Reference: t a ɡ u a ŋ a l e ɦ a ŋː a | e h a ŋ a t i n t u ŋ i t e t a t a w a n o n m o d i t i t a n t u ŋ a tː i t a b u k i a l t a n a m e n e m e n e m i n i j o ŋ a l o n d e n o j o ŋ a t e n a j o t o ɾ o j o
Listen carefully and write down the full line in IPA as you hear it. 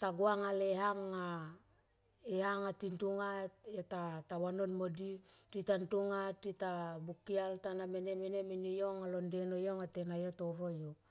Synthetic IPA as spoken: t a ɡ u a ŋ a l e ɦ a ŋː a | e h a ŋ a t i n t u ŋ a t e t a t a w a n o n m o d i t i t a n t u ŋ a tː i t a b u k i a l t a n a m e n e m e n e m i n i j o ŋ a l o n d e n o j o ŋ a t e n a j o t o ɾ o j o